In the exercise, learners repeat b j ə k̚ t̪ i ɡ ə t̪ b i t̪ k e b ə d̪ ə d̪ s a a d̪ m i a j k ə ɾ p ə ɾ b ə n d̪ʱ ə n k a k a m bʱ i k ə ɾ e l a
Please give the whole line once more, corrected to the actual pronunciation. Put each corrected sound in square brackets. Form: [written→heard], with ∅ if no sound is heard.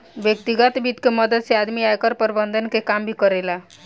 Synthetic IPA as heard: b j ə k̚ t̪ i ɡ ə t̪ b i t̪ k e [b→m] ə d̪ ə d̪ s [a→e] a d̪ m i a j k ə ɾ p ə ɾ b ə n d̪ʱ ə n k [a→e] k a m bʱ i k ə ɾ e l a

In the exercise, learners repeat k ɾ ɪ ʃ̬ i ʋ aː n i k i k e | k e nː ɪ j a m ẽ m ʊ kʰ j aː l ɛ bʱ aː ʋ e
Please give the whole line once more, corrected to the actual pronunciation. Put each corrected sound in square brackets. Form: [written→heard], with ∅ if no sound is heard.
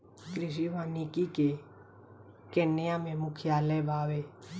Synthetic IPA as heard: k ɾ ɪ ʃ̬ i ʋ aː n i k i k e | k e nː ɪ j a m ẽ m ʊ kʰ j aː l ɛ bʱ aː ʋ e

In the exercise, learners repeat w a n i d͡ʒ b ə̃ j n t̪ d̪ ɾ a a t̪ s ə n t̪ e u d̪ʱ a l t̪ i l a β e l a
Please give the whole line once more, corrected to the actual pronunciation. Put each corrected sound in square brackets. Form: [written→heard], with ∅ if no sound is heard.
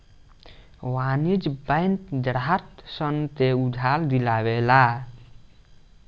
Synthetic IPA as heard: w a n i d͡ʒ b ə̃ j n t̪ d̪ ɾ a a t̪ s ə n t̪ e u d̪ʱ a l [t̪→d̪] i l a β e l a

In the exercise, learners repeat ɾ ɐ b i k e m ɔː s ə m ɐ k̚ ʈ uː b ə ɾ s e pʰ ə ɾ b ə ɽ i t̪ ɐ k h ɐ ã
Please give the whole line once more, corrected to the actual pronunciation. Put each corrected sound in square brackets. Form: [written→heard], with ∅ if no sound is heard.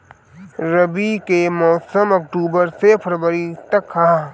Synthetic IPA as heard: ɾ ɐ b i k e m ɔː s ə m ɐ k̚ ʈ uː b ə ɾ s e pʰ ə ɾ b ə [ɽ→ɾ] i t̪ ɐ k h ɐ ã

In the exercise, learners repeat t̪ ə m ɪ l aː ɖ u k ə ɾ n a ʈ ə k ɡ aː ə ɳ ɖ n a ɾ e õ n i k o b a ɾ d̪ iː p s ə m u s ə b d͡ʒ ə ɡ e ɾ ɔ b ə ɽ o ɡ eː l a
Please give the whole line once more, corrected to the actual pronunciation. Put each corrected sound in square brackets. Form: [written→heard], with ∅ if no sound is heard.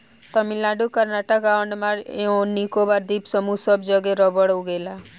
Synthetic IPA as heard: t̪ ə m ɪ l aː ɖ u k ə ɾ n a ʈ ə k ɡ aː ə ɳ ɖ [n→m] a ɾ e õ n i k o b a ɾ d̪ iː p s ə m u s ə b d͡ʒ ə ɡ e ɾ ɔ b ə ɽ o ɡ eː l a

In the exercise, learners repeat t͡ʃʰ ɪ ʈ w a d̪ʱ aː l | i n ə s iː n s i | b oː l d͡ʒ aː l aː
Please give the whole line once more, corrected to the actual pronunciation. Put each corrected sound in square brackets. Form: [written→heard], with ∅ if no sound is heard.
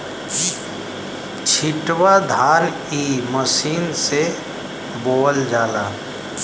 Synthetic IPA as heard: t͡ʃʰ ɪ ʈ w a d̪ʱ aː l | i [n→m] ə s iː n s [i→e] | b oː l d͡ʒ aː l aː

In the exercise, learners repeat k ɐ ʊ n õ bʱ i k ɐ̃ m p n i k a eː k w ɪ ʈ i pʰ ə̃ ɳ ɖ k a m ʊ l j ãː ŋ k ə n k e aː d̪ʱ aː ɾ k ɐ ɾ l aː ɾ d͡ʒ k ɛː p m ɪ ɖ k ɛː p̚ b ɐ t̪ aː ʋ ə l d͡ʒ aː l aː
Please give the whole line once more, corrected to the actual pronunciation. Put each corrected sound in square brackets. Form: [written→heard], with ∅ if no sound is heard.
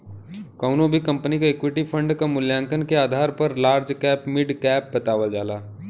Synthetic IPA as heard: k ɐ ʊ n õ bʱ i k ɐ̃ m p n i k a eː k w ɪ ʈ i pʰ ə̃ ɳ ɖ k a m ʊ l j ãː ŋ k ə n k e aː d̪ʱ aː ɾ [k→p] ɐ ɾ l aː ɾ d͡ʒ k ɛː p m ɪ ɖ k ɛː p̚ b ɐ t̪ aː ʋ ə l d͡ʒ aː l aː

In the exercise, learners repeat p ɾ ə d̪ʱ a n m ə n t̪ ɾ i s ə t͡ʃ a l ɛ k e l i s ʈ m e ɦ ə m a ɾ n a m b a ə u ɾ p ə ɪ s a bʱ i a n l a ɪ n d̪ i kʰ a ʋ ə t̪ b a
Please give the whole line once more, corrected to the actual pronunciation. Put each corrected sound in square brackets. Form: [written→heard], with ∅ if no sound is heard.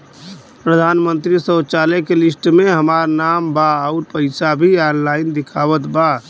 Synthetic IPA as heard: p ɾ ə d̪ʱ a n m ə n t̪ ɾ i s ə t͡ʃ a l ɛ k e l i s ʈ m e ɦ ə m a ɾ n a m b a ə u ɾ p ə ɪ s a bʱ i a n l a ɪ n d̪ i kʰ a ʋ ə t̪ b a

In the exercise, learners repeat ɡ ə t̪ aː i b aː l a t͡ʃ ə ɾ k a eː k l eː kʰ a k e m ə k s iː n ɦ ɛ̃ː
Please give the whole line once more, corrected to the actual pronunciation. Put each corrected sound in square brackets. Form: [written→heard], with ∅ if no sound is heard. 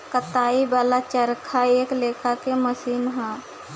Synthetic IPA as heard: [ɡ→k] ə t̪ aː i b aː l a t͡ʃ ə ɾ [k→kʰ] a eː k l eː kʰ a k e m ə [k→∅] s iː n ɦ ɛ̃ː

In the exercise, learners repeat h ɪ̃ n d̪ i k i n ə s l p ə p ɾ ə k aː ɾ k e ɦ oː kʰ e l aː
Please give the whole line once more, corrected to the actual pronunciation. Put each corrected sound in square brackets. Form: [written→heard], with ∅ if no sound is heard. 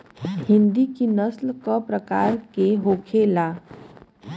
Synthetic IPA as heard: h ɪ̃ n d̪ i k i n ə s l [p→k] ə p ɾ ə k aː ɾ k e ɦ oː kʰ e l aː

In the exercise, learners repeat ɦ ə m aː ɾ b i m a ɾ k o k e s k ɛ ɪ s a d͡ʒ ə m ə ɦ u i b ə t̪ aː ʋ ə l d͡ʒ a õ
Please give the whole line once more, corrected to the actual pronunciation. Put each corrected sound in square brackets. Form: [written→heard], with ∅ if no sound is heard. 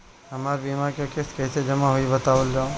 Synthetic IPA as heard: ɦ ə m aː ɾ b i m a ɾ k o k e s k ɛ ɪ s [a→e] d͡ʒ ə m [ə→a] ɦ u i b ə t̪ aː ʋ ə l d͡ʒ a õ

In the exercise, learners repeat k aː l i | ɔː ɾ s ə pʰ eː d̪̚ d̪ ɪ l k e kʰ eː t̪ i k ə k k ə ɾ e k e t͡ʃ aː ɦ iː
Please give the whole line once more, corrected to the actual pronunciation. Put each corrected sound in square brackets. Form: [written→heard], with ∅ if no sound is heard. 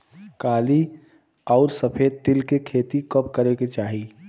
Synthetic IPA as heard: k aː l i | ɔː ɾ s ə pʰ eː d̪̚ [d̪→t̪] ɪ l k e kʰ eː t̪ i k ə [k→p] k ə ɾ e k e t͡ʃ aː ɦ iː

